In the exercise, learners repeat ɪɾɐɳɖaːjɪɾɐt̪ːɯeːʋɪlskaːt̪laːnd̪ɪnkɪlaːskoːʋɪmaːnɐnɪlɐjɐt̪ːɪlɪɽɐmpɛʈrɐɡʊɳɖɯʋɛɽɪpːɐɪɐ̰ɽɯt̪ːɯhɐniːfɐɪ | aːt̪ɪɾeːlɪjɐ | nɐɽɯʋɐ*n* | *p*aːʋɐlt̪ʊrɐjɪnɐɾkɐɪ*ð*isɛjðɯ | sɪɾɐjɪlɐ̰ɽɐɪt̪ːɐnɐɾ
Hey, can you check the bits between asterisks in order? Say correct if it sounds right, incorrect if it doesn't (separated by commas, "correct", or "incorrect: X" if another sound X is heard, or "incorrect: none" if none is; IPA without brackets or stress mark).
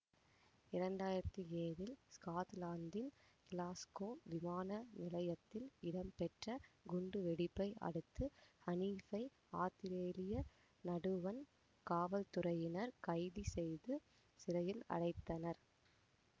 correct, incorrect: k, correct